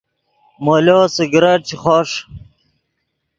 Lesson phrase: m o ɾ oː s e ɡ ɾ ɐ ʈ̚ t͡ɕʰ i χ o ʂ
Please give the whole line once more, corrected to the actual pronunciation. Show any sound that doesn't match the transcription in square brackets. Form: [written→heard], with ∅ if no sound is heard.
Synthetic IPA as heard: m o [ɾ→l] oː s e ɡ ɾ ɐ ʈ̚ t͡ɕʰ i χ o ʂ